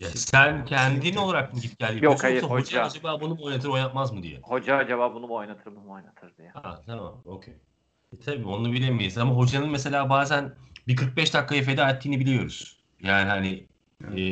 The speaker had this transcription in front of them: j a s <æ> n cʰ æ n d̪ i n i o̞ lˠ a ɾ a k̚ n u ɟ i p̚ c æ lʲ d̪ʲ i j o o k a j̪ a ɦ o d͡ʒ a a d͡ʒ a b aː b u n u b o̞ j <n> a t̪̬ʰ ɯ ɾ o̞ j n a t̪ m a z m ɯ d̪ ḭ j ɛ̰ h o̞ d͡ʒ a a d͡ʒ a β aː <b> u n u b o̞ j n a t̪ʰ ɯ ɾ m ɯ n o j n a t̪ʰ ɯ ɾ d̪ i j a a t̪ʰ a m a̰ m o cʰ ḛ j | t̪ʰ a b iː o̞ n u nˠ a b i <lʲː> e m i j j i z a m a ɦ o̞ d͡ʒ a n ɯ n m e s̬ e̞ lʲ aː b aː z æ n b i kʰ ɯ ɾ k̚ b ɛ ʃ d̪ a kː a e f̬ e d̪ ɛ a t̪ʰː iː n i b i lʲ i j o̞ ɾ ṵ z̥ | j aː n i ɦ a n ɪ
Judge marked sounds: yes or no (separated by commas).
yes, yes, yes, no